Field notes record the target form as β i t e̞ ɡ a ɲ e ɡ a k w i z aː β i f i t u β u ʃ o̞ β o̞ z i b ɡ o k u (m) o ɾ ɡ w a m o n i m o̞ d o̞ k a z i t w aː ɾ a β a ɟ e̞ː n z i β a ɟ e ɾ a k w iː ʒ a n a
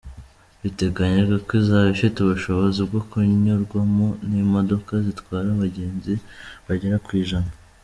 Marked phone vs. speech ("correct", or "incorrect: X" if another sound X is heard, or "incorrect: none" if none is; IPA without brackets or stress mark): incorrect: ɲ